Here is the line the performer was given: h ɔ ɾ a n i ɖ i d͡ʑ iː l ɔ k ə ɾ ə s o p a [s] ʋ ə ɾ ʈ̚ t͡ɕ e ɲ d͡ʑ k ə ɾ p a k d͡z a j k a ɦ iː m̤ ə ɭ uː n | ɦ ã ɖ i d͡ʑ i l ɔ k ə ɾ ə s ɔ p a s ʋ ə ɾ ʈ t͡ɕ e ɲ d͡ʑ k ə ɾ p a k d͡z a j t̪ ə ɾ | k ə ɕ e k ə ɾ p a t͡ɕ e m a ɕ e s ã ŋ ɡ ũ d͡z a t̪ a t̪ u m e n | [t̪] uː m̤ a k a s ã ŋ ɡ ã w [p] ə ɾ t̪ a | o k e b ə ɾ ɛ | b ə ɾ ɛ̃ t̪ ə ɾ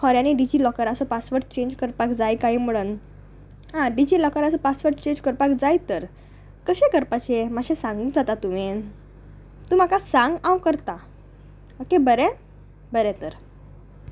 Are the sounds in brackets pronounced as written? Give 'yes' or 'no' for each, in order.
yes, yes, no

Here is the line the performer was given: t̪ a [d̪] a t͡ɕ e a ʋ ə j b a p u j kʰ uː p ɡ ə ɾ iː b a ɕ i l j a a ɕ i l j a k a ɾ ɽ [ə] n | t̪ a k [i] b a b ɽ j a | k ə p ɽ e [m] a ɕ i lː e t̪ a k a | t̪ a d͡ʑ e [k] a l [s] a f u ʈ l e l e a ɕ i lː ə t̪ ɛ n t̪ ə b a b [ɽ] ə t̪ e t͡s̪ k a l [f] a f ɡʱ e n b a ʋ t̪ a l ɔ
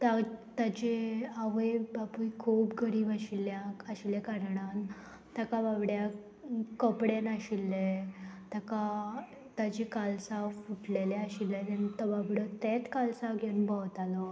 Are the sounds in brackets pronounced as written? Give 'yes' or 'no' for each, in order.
no, no, no, no, yes, yes, yes, no

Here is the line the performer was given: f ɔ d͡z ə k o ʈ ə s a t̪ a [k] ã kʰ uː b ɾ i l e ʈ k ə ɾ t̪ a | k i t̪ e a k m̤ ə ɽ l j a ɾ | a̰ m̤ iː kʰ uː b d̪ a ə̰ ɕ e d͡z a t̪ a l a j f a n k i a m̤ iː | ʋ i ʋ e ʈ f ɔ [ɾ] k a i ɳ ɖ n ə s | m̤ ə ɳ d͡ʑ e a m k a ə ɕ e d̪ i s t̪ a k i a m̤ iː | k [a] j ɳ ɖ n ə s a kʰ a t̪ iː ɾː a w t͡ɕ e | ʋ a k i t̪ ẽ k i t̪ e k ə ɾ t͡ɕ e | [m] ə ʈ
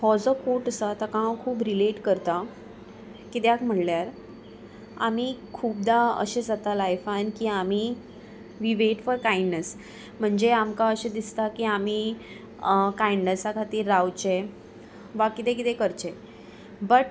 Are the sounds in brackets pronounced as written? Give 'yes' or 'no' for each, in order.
yes, yes, yes, no

